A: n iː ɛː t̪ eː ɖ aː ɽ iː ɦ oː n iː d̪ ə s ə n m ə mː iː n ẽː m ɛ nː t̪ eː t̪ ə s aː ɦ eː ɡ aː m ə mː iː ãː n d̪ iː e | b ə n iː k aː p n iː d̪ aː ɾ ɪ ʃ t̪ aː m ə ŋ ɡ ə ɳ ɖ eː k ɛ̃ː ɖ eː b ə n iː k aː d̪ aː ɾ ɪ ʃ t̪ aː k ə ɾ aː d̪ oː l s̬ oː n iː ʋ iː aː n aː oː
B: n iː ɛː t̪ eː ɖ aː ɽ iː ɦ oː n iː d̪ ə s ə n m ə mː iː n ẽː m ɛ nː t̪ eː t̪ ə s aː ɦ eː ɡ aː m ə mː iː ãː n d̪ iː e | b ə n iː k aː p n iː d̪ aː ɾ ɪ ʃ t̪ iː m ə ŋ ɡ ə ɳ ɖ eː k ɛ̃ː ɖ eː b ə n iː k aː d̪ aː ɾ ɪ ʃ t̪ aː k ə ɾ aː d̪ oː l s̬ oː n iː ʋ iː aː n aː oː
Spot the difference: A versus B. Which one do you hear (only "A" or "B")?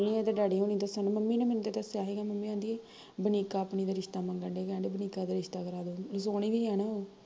A